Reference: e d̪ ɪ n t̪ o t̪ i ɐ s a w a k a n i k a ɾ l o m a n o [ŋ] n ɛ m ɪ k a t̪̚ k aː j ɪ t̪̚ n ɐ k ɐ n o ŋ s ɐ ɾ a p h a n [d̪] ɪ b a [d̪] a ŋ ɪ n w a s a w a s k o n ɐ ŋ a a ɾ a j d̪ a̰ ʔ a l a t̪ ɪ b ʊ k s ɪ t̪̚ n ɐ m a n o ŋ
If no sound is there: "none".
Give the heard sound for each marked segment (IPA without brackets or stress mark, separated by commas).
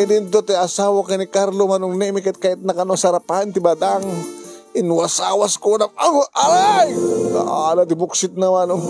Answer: ŋ, t̪, d̪